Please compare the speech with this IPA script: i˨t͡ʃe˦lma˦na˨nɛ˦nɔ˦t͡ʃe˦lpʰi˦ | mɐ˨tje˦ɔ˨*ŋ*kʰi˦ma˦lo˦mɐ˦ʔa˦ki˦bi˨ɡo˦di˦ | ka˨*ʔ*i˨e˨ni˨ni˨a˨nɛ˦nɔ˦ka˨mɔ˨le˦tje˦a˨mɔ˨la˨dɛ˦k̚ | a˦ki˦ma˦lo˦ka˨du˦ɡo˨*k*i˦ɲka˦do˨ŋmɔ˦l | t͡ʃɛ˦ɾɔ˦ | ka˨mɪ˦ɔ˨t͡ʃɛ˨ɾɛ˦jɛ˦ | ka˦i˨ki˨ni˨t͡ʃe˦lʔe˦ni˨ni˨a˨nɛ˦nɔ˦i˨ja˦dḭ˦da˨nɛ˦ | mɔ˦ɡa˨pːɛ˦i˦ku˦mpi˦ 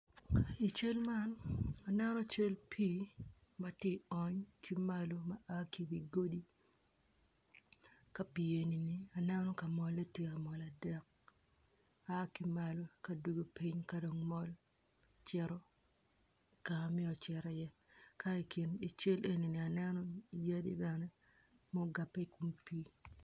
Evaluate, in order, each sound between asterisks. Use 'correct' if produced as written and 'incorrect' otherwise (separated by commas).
incorrect, incorrect, incorrect